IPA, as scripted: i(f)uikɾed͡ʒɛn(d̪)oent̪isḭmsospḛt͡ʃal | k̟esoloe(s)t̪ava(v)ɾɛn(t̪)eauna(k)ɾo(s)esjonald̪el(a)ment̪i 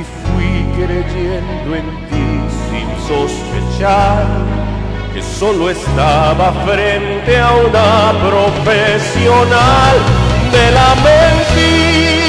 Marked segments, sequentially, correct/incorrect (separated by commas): correct, correct, correct, incorrect, correct, incorrect, incorrect, correct